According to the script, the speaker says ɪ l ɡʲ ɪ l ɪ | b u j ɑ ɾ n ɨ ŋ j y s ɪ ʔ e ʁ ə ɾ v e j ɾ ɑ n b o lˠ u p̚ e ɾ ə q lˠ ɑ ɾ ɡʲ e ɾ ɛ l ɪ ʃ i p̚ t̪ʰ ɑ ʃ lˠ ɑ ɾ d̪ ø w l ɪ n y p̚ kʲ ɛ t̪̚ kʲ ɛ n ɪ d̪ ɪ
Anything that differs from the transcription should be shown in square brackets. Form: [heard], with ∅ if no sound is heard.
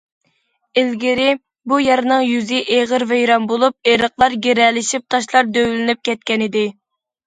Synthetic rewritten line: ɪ l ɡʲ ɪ [ɾ] ɪ | b u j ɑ ɾ n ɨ ŋ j y [z] ɪ ʔ e ʁ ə ɾ v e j ɾ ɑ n b o lˠ u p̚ e ɾ ə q lˠ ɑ ɾ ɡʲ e ɾ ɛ l ɪ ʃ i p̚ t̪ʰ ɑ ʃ lˠ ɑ ɾ d̪ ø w l ɪ n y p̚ kʲ ɛ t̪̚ kʲ ɛ n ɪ d̪ ɪ